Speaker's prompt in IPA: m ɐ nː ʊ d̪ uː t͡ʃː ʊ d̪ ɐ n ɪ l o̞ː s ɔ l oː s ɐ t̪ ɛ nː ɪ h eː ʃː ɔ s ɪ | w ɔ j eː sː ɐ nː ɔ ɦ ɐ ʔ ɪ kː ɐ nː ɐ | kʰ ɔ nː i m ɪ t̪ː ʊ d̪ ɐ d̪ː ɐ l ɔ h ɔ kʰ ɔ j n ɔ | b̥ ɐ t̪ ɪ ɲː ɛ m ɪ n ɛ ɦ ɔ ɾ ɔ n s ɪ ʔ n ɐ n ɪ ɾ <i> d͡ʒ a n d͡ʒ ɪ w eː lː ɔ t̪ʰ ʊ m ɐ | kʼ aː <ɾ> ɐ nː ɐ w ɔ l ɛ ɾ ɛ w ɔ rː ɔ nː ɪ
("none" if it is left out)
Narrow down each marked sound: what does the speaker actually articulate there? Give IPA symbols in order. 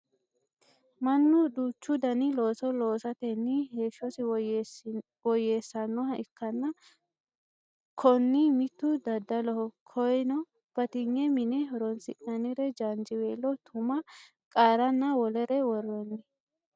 ɛ, ɾ

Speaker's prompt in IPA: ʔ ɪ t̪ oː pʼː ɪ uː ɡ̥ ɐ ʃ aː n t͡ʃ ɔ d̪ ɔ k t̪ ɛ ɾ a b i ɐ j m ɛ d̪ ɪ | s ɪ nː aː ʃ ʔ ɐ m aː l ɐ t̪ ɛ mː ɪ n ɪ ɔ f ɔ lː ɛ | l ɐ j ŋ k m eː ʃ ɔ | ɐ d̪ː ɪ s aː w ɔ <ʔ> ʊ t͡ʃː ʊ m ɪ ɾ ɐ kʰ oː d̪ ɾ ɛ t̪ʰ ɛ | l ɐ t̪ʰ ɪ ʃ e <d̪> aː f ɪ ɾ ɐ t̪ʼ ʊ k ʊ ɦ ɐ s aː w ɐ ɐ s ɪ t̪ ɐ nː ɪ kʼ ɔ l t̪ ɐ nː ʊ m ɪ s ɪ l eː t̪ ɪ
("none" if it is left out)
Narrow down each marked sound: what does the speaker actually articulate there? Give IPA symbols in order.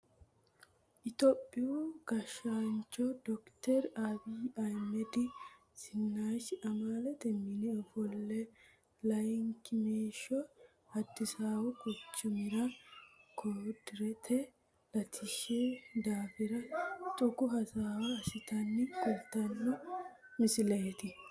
k, d̪

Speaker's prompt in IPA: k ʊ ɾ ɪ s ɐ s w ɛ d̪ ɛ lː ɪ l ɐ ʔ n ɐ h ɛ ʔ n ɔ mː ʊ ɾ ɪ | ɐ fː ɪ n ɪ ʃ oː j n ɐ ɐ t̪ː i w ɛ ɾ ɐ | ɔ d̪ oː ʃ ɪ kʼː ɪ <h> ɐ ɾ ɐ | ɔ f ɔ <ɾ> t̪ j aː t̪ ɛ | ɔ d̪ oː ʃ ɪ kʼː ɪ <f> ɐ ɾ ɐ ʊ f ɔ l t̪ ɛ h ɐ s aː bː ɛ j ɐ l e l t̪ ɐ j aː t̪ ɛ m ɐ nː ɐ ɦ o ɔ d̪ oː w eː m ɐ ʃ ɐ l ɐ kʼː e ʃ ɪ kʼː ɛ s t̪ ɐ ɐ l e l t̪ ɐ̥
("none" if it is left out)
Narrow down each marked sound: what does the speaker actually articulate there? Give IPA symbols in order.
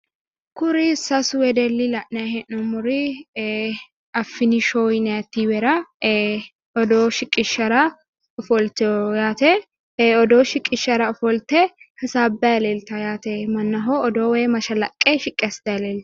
ʃ, l, ʃ

